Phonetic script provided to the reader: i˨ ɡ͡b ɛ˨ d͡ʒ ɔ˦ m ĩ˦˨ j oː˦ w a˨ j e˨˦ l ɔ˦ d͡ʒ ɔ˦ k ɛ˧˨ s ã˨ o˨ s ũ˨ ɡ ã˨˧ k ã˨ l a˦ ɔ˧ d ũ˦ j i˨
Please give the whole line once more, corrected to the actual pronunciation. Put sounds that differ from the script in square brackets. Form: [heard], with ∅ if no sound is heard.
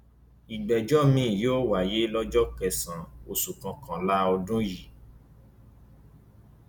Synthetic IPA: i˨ ɡ͡b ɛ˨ d͡ʒ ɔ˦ m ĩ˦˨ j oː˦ w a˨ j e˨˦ l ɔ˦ d͡ʒ ɔ˦ k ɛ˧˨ s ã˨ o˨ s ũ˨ [k] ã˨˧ k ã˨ l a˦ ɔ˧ d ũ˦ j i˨